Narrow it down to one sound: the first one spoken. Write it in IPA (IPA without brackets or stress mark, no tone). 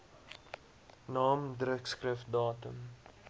n